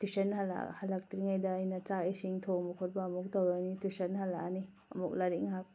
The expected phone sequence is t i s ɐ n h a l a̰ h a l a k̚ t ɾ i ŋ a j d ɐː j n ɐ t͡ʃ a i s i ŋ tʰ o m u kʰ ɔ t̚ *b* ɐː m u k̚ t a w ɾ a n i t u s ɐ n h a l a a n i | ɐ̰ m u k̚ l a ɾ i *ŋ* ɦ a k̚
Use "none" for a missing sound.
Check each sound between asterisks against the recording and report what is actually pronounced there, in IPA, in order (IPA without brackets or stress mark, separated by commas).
b, ŋ